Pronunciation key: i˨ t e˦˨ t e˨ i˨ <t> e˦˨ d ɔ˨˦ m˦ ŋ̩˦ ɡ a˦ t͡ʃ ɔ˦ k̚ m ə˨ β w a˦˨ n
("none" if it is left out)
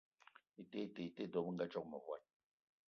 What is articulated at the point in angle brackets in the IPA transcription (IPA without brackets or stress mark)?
t